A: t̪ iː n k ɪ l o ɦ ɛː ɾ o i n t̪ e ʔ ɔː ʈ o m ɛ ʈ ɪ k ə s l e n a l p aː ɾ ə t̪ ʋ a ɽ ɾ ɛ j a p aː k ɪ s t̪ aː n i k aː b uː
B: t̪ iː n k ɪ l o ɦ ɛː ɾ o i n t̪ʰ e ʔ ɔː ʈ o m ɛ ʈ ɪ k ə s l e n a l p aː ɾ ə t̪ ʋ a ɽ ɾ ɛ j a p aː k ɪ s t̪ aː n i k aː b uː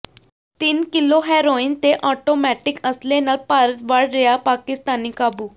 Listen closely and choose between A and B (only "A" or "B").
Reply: A